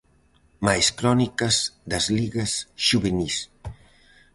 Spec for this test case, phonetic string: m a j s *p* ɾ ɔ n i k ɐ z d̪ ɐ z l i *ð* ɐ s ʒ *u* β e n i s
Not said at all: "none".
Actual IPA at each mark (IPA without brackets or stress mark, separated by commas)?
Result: k, ɣ, u